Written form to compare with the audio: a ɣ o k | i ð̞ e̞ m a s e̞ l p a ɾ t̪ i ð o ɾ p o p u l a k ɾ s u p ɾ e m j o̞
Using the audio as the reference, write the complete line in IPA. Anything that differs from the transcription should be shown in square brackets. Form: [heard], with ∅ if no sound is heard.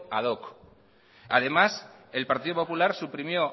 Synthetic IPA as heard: a [ð] o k | [a] ð̞ e̞ m a s e̞ l p a ɾ t̪ i ð o [∅] p o p u l a [∅] ɾ s u p ɾ [i] m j o̞